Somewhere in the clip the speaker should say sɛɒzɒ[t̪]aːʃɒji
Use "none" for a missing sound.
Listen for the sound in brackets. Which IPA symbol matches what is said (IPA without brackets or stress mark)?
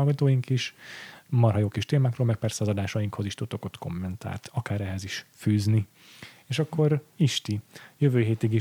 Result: d̪